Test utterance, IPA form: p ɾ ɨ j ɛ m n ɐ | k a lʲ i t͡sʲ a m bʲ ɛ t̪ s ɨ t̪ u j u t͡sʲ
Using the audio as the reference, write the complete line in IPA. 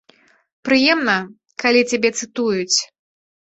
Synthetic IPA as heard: p ɾ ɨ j ɛ m n ɐ | k a lʲ i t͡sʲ a bʲ ɛ t̪ s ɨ t̪ u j u t͡sʲ